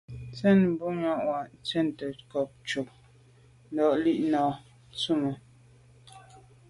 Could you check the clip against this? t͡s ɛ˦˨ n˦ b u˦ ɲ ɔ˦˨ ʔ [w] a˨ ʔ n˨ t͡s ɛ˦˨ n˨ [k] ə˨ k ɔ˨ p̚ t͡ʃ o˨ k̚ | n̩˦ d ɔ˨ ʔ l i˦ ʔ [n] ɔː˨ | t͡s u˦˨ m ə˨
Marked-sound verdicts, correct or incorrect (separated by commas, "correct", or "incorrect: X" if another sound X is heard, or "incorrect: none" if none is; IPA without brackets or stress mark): correct, incorrect: t, correct